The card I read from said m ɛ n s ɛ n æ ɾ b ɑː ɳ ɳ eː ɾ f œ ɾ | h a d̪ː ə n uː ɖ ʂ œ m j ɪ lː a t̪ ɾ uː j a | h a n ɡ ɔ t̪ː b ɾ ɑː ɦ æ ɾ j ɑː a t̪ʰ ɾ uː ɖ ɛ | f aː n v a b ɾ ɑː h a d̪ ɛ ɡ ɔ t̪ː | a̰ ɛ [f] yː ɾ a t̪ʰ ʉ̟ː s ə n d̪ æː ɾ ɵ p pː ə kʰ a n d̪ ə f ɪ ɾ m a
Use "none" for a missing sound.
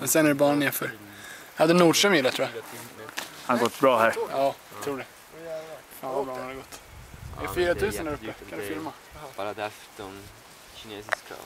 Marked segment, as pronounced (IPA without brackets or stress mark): f